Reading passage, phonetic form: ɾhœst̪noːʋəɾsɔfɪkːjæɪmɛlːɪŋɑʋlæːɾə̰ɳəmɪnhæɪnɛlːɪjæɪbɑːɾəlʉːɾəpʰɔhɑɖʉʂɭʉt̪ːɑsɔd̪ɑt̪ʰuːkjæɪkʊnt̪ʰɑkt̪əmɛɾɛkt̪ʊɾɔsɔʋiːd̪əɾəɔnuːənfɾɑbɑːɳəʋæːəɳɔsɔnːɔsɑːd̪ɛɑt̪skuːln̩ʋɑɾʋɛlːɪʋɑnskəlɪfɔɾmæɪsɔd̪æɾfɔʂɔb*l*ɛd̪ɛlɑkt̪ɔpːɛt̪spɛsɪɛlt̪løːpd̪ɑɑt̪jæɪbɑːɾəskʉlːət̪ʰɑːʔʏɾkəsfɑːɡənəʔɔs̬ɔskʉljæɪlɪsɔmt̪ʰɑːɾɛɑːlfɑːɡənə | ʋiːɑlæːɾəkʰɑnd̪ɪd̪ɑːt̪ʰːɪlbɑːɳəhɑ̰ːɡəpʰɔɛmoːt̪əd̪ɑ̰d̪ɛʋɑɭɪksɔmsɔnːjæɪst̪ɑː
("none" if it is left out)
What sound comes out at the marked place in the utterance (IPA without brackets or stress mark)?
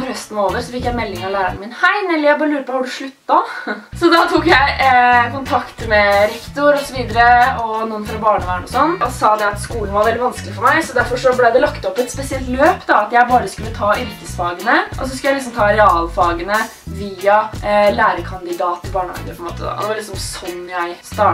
l